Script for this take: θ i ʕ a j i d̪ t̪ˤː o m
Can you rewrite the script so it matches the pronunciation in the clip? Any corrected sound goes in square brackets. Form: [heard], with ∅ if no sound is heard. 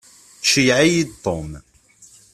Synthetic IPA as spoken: [ʃ] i ʕ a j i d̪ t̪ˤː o m